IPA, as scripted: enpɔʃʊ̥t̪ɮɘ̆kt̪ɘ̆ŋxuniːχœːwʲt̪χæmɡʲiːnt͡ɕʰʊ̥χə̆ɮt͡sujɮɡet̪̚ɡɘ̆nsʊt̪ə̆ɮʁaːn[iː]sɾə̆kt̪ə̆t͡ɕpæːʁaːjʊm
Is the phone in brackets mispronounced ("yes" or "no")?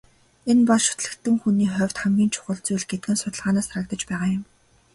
yes